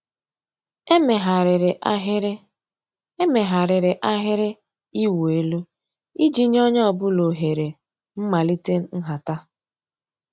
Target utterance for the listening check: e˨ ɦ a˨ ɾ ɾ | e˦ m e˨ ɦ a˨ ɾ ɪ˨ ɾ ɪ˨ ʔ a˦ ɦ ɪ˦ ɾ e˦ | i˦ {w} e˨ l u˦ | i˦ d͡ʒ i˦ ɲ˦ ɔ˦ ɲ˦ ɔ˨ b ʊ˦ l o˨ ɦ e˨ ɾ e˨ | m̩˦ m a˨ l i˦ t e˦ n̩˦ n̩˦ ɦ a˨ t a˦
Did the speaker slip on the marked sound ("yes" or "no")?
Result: no